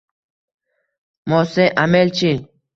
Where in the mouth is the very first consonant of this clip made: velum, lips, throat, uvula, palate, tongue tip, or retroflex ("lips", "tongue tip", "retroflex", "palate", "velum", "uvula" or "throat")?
lips